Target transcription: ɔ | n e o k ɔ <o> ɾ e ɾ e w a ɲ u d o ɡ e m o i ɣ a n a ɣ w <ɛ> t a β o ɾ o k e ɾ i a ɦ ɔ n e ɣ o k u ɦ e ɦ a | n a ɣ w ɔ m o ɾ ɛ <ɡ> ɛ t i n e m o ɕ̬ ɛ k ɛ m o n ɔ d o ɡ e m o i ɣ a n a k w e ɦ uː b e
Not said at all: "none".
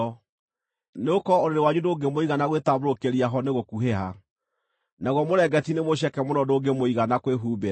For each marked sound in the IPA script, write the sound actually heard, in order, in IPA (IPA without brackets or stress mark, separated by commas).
o, e, ɡ